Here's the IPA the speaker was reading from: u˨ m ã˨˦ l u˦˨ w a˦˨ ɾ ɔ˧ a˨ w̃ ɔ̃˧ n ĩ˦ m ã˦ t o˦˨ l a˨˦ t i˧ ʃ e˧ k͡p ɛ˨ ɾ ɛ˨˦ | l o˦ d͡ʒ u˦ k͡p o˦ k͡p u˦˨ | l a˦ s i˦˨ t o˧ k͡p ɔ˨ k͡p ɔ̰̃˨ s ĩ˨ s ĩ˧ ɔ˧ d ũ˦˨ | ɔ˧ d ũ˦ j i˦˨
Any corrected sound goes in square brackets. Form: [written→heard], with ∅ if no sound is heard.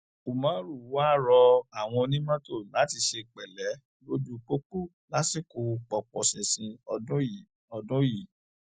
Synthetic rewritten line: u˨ m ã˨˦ [l→ɾ] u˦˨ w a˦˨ ɾ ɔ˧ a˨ w̃ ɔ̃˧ n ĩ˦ m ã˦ t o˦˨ l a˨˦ t i˧ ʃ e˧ k͡p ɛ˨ [ɾ→l] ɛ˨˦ | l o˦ d͡ʒ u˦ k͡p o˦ k͡p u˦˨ | l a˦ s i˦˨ [t→k] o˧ k͡p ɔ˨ k͡p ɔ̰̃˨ s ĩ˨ s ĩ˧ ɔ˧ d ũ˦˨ | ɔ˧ d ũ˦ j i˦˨